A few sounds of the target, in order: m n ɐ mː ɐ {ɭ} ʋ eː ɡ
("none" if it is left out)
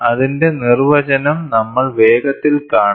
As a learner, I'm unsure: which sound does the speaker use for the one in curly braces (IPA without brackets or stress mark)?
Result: ɭ